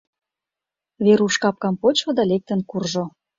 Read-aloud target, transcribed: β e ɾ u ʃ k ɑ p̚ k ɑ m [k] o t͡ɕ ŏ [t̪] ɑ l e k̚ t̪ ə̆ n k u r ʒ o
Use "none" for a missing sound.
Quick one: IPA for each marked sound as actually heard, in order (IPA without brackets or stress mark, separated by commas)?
p, d̪